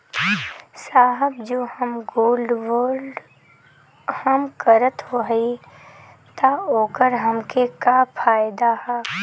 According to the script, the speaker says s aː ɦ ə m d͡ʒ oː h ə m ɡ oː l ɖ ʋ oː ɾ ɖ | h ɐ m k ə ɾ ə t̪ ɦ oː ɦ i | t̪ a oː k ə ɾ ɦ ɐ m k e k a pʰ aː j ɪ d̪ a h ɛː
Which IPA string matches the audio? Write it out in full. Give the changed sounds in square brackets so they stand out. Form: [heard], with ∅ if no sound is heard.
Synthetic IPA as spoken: s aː ɦ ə [b] d͡ʒ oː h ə m ɡ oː l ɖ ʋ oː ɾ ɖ | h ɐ m k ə ɾ ə t̪ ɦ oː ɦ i | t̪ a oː k ə ɾ ɦ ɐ m k e k a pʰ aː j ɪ d̪ a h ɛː